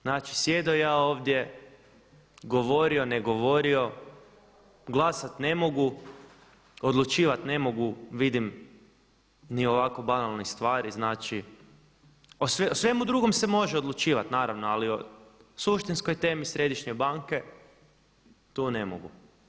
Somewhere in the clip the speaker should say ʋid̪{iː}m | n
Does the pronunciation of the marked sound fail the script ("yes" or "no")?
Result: yes